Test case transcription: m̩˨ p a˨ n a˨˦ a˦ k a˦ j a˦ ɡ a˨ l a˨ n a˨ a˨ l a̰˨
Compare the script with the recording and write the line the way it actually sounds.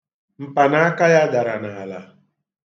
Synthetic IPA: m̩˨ p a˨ n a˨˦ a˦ k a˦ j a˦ d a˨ ɾ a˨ n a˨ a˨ l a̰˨